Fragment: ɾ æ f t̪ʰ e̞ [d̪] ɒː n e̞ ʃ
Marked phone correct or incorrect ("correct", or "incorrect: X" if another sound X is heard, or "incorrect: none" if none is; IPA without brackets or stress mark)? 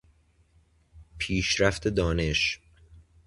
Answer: correct